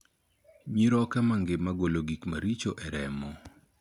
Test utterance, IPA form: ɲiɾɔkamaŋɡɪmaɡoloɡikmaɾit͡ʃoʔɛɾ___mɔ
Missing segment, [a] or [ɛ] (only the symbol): ɛ